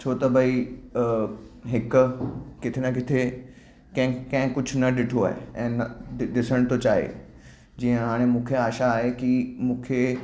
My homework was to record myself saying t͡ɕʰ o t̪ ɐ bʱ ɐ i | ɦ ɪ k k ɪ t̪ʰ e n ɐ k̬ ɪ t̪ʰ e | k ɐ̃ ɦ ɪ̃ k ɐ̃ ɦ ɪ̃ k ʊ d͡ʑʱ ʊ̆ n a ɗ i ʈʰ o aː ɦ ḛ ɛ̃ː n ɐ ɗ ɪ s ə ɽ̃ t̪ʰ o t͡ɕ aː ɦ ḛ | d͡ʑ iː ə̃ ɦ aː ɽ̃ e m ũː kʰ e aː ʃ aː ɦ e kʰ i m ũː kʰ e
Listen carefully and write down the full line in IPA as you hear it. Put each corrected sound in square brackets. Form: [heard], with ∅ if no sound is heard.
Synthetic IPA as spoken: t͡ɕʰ o t̪ ɐ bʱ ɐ i | ɦ ɪ k k ɪ t̪ʰ e n ɐ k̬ ɪ t̪ʰ e | k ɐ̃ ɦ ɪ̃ k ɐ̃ ɦ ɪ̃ k ʊ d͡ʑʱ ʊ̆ n [ɐ] ɗ [ɪ] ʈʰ o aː ɦ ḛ ɛ̃ː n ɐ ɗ ɪ s ə ɽ̃ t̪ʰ o t͡ɕ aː ɦ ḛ | d͡ʑ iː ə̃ ɦ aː ɽ̃ e m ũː kʰ e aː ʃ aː ɦ e [k] i m ũː kʰ e